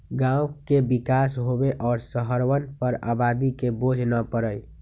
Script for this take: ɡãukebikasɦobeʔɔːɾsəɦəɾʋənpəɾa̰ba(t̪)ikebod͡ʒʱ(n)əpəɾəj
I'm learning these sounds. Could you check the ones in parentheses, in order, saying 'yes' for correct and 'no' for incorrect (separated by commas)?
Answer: no, yes